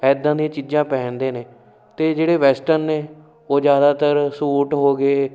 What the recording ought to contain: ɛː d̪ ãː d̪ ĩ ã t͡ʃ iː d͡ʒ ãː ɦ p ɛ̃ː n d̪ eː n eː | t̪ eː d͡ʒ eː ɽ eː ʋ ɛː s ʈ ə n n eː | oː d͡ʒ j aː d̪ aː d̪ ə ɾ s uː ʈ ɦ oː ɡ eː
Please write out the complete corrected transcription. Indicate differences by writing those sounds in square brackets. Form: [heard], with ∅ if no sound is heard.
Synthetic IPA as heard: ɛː d̪ ãː d̪ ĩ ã t͡ʃ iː d͡ʒ ãː [∅] p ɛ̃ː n d̪ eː n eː | t̪ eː d͡ʒ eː ɽ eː ʋ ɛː s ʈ ə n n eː | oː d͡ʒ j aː d̪ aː [t̪] ə ɾ s uː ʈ ɦ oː ɡ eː